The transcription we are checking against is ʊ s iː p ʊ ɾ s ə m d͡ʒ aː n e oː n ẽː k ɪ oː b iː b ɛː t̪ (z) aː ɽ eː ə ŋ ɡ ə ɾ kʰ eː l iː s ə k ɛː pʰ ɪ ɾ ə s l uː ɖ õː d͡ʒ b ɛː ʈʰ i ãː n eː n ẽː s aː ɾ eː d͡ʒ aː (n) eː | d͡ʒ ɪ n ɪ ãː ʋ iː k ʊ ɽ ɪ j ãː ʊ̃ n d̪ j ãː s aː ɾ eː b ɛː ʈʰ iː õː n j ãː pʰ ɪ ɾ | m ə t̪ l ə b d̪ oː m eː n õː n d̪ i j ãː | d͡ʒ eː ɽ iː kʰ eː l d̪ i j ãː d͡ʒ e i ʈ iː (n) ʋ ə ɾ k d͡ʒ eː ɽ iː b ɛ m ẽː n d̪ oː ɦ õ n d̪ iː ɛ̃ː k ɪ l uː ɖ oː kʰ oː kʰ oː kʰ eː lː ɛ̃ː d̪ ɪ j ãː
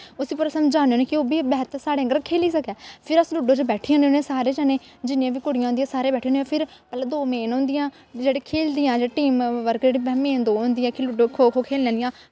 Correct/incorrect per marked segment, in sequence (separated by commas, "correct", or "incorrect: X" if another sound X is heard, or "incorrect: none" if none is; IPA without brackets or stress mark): incorrect: s, correct, incorrect: m